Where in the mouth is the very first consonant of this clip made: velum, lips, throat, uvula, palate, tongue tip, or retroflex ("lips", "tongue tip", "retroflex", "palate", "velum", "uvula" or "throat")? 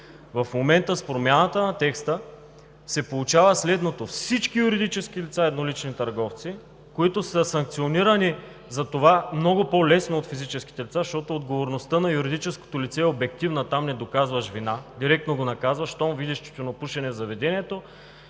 lips